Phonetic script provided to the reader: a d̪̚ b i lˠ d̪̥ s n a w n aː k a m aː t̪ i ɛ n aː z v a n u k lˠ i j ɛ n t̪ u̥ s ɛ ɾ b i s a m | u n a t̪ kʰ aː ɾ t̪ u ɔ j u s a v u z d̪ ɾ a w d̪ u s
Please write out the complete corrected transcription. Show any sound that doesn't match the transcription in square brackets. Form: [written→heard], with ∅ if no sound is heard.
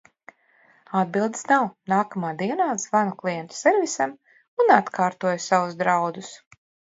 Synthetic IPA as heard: a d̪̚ b i lˠ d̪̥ s n a w n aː k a m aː [t̪→d̪] i ɛ n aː z v a n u k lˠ i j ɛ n t̪ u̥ s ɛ ɾ [b→v] i s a m | u n a t̪ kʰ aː ɾ t̪ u ɔ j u s a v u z d̪ ɾ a w d̪ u s

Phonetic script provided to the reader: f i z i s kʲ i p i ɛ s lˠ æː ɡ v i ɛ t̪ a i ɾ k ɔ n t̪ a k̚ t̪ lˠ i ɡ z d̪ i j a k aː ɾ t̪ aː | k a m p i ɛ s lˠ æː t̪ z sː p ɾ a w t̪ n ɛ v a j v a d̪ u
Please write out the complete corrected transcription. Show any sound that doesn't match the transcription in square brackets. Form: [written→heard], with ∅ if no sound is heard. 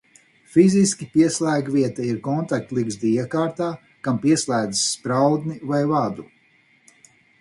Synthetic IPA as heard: f i z i s kʲ i p i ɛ s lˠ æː ɡ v i ɛ t̪ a i ɾ k ɔ n t̪ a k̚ t̪ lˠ i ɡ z d̪ i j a k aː ɾ t̪ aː | k a m p i ɛ s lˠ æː [t̪→d̪] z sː p ɾ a w [t̪→d̪] n [ɛ→i] v a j v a d̪ u

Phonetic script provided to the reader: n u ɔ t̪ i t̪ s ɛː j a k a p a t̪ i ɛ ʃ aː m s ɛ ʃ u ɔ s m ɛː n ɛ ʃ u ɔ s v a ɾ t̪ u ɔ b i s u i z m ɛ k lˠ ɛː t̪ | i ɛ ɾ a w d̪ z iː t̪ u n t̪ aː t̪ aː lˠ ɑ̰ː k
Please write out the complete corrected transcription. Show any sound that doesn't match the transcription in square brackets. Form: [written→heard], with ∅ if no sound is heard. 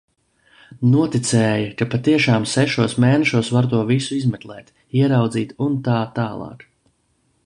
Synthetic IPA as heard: n u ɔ t̪ i t̪ s ɛː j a k a p a t̪ i ɛ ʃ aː m s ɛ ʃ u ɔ s m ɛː n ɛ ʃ u ɔ s v a ɾ t̪ u ɔ [b→v] i s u i z m ɛ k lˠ ɛː t̪ | i ɛ ɾ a w d̪ z iː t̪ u n t̪ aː t̪ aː lˠ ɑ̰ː k

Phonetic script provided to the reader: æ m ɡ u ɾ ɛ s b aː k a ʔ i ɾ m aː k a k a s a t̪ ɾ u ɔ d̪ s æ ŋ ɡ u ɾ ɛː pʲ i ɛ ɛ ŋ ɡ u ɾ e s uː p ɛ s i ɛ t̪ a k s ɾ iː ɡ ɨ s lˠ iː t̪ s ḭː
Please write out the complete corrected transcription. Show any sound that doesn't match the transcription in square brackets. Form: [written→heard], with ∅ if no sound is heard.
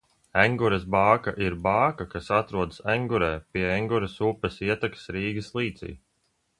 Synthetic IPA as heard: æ [m→ŋ] ɡ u ɾ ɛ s b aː k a ʔ i ɾ [m→b] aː k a k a s a t̪ ɾ u ɔ d̪ s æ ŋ ɡ u ɾ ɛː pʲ i ɛ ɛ ŋ ɡ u ɾ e s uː p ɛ s i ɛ t̪ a k s ɾ iː ɡ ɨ s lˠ iː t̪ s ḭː

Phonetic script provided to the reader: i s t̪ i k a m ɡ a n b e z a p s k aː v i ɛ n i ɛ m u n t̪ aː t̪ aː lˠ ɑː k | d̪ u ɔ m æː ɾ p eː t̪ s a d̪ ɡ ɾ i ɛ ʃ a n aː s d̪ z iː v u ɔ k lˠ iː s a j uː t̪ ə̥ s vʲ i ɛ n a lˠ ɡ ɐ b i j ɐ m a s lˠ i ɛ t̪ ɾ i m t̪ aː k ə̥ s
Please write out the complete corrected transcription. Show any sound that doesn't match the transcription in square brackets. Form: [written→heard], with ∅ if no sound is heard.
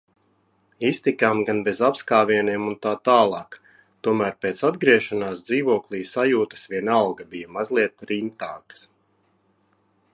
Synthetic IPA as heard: i s t̪ i k a m ɡ a n b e z a p s k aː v i ɛ n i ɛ m u n t̪ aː t̪ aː lˠ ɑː k | [d̪→t̪] u ɔ m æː ɾ p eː t̪ s a d̪ ɡ ɾ i ɛ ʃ a n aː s d̪ z iː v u ɔ k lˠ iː s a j uː t̪ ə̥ s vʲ i ɛ n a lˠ ɡ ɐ b i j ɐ m a [s→z] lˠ i ɛ t̪ ɾ i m t̪ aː k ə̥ s

